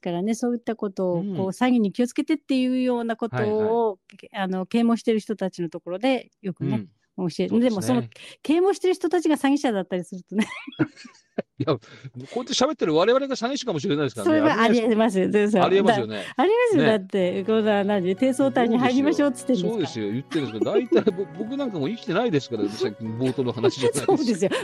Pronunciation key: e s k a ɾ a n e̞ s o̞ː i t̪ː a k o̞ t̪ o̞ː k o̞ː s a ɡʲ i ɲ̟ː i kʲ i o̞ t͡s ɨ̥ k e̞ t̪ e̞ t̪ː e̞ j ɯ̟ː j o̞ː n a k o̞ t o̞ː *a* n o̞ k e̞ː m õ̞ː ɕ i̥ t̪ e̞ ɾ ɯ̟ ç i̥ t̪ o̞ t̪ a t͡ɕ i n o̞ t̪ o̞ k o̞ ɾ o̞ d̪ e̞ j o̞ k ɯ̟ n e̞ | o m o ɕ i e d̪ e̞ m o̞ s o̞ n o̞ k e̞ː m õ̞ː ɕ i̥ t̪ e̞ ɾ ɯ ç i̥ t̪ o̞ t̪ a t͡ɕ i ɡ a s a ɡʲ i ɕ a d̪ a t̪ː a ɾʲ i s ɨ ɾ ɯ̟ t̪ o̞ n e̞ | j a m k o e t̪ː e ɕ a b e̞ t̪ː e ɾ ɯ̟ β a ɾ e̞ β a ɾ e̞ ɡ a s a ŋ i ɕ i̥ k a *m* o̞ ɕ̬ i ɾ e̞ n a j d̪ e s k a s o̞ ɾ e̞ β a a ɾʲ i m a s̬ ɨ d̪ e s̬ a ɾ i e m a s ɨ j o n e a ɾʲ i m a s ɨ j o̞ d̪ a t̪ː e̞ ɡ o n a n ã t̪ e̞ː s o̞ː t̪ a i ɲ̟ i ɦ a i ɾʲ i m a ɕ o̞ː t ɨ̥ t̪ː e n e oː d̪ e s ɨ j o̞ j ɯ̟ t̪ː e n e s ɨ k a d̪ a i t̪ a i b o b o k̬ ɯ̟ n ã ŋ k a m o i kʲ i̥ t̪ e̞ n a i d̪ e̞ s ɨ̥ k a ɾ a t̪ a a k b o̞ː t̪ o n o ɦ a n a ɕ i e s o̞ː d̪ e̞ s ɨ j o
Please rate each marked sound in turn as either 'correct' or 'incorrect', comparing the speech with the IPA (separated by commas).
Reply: correct, correct